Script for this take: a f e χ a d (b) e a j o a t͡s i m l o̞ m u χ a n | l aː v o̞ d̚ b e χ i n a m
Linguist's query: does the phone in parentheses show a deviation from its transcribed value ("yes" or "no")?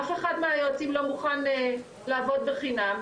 yes